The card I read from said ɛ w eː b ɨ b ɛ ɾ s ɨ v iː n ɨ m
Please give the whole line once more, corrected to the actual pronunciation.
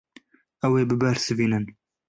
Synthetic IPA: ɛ w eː b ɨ b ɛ ɾ s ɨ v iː n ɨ n